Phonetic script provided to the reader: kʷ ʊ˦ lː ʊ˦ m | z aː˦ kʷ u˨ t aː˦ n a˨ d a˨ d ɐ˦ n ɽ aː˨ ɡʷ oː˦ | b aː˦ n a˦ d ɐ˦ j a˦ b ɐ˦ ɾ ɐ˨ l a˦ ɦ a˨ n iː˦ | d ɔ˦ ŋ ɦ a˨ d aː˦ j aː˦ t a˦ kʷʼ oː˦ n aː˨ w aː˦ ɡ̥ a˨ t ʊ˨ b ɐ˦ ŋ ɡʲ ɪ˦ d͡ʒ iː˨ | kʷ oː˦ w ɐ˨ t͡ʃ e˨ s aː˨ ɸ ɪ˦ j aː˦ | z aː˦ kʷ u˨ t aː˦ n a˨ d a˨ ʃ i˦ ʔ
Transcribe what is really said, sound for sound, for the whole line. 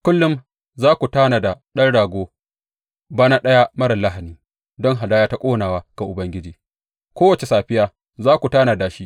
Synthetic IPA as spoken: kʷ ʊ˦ lː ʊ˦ m | z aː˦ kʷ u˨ t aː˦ n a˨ d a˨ ɗ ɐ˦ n ɽ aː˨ ɡʷ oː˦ | b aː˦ n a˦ ɗ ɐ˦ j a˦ m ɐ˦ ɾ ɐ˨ l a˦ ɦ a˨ n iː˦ | d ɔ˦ ŋ ɦ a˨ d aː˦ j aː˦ t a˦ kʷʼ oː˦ n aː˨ w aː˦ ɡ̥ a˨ ʔ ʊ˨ b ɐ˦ ŋ ɡʲ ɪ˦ d͡ʒ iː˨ | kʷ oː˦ w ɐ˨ t͡ʃ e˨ s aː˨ ɸ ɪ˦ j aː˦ | z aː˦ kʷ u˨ t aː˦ n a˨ d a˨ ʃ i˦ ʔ

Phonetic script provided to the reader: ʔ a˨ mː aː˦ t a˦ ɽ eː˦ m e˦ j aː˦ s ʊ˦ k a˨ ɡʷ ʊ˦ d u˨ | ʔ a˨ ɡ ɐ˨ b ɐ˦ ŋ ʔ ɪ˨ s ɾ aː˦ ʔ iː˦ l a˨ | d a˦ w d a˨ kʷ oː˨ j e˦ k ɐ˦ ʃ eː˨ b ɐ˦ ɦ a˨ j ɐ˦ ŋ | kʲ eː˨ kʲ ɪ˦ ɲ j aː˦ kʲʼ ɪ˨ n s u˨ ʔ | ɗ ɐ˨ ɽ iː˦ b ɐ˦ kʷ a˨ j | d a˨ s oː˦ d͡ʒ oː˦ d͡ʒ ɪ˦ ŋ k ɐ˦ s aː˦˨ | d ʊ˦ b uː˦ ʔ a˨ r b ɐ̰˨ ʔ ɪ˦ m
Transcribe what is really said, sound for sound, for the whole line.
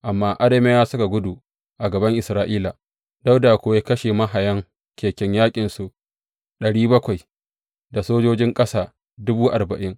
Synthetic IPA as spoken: ʔ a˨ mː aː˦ ʔ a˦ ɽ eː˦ m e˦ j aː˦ s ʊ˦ k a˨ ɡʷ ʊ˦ d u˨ | ʔ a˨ ɡ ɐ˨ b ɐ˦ ŋ ʔ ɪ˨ s ɾ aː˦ ʔ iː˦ l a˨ | d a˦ w d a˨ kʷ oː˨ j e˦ k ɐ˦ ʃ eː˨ m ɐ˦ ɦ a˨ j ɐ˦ ŋ | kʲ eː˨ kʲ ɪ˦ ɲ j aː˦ kʲʼ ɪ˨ n s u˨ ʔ | ɗ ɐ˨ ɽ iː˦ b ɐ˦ kʷ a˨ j | d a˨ s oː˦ d͡ʒ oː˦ d͡ʒ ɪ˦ ŋ kʼ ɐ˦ s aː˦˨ | d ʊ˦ b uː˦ ʔ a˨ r b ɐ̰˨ ʔ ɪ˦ ŋ

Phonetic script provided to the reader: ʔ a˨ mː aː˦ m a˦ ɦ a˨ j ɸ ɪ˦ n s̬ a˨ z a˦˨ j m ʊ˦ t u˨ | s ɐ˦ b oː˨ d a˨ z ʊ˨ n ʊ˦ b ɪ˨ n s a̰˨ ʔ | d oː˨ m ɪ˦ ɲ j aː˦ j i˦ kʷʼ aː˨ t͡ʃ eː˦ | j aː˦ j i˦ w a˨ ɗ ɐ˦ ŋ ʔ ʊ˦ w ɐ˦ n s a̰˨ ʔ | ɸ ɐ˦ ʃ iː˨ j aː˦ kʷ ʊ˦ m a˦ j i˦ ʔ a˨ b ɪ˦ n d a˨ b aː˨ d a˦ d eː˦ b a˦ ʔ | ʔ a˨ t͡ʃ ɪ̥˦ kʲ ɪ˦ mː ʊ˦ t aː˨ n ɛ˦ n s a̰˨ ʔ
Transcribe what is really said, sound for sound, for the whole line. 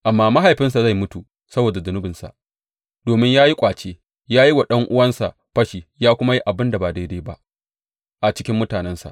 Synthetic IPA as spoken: ʔ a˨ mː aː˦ m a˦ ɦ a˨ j ɸ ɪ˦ n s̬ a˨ z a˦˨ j m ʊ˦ t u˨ | s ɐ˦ b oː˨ d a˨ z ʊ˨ n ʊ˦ b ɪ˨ n s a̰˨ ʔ | d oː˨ m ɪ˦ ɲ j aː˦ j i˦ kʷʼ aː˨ t͡ʃ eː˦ | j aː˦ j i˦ w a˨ ɗ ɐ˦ ŋ ʔ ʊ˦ w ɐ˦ n s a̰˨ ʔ | ɸ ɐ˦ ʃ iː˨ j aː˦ kʷ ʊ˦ m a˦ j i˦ ʔ a˨ b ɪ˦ n d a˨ b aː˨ d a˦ d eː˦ b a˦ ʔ | ʔ a˨ t͡ʃ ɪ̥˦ kʲ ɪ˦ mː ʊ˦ t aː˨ n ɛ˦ n s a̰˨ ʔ

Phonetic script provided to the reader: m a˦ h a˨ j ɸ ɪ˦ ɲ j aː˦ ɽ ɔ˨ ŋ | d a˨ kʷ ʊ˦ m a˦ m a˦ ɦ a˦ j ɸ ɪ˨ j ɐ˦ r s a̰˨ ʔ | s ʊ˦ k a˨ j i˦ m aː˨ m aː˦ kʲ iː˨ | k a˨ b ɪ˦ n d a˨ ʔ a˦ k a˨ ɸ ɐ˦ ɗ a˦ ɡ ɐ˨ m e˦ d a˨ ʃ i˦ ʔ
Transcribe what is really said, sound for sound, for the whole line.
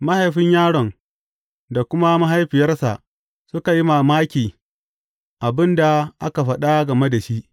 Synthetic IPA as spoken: m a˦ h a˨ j ɸ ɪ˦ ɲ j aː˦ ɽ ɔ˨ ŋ | d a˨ kʷ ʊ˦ m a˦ m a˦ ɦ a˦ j ɸ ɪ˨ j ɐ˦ r s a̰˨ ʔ | s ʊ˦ k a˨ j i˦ m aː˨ m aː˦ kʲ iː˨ | ʔ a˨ b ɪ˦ n d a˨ ʔ a˦ k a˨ ɸ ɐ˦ ɗ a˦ ɡ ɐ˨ m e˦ d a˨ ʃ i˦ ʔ

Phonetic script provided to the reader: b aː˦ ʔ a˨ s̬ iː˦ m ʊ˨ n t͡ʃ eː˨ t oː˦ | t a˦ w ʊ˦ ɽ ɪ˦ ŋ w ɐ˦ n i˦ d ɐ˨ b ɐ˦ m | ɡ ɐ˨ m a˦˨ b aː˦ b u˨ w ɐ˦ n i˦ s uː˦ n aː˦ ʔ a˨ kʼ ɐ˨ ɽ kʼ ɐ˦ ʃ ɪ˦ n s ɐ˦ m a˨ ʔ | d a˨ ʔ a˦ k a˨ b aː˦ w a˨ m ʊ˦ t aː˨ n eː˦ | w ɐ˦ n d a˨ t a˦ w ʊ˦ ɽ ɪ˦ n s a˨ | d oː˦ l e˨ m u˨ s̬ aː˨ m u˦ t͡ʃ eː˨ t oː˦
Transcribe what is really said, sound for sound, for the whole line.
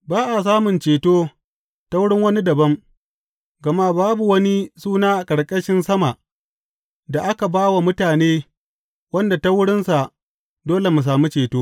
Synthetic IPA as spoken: b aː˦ ʔ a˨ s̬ aː˦ m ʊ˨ n t͡ʃ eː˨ t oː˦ | t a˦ w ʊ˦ ɽ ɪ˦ ŋ w ɐ˦ n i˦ d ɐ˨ b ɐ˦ m | ɡ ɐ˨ m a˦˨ b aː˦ b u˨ w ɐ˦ n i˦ s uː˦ n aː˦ ʔ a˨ kʼ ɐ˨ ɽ kʼ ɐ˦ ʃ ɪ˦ n s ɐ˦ m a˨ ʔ | d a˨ ʔ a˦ k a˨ b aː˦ w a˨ m ʊ˦ t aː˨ n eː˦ | w ɐ˦ n d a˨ t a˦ w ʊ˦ ɽ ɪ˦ n s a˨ | d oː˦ l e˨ m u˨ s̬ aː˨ m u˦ t͡ʃ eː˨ t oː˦

